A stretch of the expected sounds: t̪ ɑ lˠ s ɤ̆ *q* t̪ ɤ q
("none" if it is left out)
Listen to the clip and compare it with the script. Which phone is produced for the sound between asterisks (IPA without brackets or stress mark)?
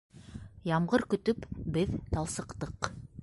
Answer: q